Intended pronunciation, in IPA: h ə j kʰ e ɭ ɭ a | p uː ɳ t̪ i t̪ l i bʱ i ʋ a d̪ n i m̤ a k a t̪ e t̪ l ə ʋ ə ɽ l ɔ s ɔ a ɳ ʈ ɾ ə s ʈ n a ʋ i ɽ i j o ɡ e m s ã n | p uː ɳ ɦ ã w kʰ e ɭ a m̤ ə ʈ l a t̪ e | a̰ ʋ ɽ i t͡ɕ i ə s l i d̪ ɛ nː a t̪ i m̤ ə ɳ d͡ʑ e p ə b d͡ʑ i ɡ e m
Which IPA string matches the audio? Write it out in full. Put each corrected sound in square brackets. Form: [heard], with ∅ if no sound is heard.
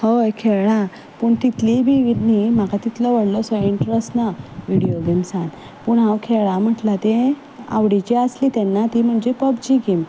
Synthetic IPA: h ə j kʰ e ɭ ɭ a | p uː ɳ t̪ i t̪ l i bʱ i ʋ [i] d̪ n i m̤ a k a t̪ [i] t̪ l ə ʋ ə ɽ l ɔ s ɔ [i] ɳ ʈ ɾ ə s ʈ n a ʋ i ɽ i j o ɡ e m s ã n | p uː ɳ ɦ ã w kʰ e ɭ a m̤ ə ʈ l a t̪ e | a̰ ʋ ɽ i t͡ɕ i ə s l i [t̪] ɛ nː a t̪ i m̤ ə ɳ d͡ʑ e p ə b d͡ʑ i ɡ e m